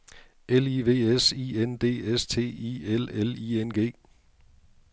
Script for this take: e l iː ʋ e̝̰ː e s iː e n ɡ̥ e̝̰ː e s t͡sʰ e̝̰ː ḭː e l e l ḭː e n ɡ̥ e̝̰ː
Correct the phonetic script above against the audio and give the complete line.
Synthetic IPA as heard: e l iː ʋ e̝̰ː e s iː e n d̥ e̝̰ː e s t͡sʰ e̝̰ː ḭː e l e l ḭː e n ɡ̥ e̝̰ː